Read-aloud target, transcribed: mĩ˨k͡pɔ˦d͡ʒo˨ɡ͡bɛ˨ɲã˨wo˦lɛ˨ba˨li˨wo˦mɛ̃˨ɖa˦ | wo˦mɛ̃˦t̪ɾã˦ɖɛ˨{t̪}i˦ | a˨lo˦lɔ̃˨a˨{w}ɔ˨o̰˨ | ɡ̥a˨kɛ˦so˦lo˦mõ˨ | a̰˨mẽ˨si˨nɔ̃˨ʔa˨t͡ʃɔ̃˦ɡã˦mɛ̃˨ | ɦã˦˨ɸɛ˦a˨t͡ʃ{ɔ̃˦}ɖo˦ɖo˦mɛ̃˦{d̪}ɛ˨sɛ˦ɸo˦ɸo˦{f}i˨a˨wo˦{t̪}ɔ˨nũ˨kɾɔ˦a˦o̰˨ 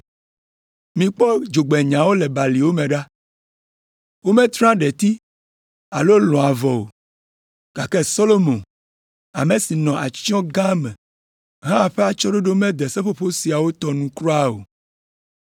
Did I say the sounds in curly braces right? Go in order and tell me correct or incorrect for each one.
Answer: correct, incorrect: v, incorrect: ɔ˦, correct, incorrect: s, correct

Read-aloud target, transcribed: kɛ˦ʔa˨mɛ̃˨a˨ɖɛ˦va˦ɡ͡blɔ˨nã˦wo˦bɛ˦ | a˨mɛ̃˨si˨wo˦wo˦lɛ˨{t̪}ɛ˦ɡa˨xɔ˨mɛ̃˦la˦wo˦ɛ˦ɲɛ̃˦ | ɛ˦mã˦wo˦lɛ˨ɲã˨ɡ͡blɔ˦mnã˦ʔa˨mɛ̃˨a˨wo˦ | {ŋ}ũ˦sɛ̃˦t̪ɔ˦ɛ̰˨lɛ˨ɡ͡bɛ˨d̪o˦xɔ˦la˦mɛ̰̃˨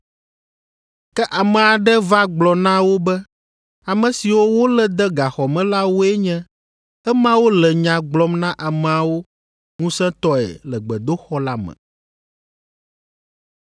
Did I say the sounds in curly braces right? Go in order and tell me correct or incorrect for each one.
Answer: incorrect: d̪, correct

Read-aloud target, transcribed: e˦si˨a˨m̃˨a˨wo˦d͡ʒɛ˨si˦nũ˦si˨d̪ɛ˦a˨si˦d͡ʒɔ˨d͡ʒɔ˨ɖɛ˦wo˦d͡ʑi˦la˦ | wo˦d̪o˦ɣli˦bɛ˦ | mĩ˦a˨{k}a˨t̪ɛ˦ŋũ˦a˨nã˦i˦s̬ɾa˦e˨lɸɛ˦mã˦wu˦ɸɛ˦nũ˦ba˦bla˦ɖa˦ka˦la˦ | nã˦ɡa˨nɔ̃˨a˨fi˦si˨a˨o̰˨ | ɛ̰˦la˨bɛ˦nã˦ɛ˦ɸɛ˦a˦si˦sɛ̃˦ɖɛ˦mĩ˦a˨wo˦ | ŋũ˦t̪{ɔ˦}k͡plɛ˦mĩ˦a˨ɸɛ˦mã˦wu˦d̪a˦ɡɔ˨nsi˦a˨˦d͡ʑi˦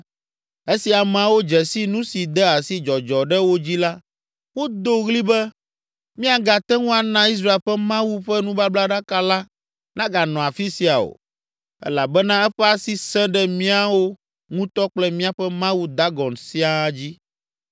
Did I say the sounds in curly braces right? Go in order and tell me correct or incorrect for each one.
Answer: incorrect: ɡ, correct

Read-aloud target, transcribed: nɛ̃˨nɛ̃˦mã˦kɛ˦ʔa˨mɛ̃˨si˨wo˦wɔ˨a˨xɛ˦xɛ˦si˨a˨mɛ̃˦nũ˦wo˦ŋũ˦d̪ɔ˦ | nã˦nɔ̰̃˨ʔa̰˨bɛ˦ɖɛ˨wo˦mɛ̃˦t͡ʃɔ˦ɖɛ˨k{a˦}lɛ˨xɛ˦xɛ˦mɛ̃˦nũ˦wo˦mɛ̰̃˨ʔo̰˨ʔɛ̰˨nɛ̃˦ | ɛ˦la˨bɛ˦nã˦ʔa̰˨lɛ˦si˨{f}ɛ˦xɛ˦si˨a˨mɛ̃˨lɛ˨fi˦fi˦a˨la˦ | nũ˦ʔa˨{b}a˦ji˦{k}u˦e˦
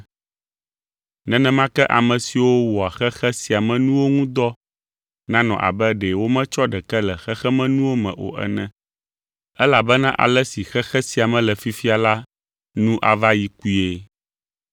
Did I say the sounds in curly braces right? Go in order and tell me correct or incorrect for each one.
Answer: incorrect: ɛ˦, incorrect: x, incorrect: v, correct

